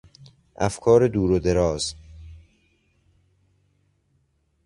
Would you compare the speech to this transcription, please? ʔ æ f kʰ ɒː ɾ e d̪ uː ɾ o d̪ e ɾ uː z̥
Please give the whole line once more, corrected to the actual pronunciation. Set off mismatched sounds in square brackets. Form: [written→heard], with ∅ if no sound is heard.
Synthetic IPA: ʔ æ f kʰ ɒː ɾ e d̪ uː ɾ o d̪ e ɾ [uː→ɒː] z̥